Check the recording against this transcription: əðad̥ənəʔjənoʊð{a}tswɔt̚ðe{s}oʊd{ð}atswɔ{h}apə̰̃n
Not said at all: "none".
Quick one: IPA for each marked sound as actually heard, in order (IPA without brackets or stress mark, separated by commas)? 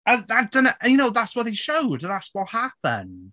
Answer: a, ʃ, ð, h